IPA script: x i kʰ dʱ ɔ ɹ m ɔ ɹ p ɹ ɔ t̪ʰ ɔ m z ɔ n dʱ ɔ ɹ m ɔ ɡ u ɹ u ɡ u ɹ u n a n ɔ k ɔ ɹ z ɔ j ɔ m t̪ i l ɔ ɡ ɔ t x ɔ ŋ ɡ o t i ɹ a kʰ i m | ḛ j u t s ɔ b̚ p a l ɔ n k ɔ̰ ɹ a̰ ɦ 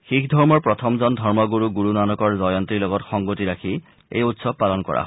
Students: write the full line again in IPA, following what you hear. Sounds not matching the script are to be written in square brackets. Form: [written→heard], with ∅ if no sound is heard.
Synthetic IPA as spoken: x i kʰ dʱ ɔ ɹ m ɔ ɹ p ɹ ɔ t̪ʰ ɔ m z ɔ n dʱ ɔ ɹ m ɔ ɡ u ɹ u ɡ u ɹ u n a n ɔ k ɔ ɹ z ɔ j ɔ [m→n] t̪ i l ɔ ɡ ɔ t x ɔ ŋ ɡ o t i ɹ a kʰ i [m→∅] | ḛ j u t s ɔ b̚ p a l ɔ n k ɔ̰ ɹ a̰ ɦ